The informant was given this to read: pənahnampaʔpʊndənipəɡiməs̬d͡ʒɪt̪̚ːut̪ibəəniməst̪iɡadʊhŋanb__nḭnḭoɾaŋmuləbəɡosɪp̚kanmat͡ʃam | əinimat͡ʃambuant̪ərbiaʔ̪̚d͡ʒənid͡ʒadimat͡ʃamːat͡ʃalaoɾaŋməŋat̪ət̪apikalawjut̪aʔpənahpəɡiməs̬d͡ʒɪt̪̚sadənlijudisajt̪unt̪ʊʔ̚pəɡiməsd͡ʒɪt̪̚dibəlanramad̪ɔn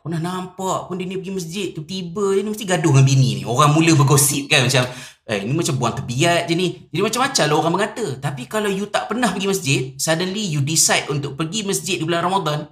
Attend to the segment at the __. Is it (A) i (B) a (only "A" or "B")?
A